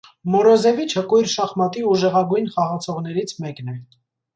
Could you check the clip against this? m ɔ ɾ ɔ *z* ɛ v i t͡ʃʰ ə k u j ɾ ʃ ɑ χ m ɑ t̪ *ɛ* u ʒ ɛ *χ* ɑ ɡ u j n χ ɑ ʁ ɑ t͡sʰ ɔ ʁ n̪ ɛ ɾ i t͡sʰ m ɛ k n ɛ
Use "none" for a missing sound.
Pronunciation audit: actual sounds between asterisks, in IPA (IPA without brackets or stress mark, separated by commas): z, i, ʁ